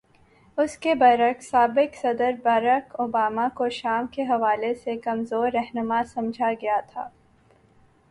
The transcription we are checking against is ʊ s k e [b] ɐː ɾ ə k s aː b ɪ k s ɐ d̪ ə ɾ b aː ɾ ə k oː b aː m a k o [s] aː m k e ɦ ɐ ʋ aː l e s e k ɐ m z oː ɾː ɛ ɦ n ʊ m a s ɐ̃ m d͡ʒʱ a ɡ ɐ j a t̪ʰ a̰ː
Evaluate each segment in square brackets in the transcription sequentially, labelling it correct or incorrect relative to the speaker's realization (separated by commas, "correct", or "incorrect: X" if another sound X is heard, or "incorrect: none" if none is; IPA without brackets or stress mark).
correct, incorrect: ʃ